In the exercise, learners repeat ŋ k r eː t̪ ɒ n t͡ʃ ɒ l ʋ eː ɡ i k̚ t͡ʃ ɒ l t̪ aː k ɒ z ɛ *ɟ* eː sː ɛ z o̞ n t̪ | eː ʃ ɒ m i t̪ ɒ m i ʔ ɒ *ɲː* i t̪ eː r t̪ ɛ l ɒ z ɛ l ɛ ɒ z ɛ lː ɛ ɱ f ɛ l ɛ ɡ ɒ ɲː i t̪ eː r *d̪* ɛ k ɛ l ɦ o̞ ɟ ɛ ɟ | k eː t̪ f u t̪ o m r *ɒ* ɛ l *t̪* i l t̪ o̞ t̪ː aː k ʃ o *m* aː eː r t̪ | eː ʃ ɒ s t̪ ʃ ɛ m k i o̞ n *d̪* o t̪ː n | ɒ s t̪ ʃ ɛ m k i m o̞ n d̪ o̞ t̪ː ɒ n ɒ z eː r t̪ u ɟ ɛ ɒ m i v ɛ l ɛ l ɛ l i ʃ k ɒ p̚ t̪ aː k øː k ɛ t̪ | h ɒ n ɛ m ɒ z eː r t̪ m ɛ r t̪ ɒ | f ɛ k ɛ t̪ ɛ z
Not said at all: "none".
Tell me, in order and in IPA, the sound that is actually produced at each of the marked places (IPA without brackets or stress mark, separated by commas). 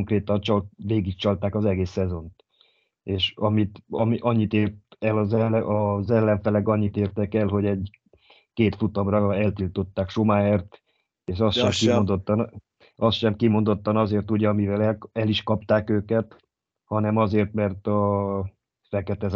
ɡ, ɲː, t̪, ɒ, t̪, m, d̪